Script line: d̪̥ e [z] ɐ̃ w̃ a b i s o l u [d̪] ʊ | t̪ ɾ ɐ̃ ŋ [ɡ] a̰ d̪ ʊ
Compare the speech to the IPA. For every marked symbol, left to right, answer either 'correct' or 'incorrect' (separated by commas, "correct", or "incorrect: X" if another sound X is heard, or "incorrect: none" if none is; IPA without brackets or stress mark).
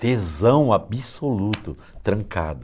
correct, incorrect: t̪, incorrect: k